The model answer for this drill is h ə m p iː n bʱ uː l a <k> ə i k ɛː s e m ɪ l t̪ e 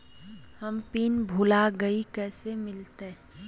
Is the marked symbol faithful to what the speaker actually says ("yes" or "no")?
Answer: no